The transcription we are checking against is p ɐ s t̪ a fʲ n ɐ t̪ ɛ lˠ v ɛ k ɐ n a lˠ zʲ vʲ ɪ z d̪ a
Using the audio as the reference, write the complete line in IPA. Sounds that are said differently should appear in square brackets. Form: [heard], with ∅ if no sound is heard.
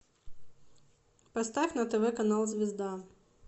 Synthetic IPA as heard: p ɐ s t̪ a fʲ n ɐ t̪ ɛ [∅] v ɛ k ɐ n a lˠ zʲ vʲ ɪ z d̪ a